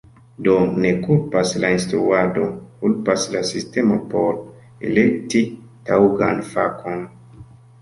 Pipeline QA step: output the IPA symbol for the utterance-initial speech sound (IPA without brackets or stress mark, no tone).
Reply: d